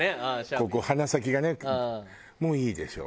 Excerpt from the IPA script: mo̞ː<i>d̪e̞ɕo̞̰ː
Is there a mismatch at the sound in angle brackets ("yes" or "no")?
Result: yes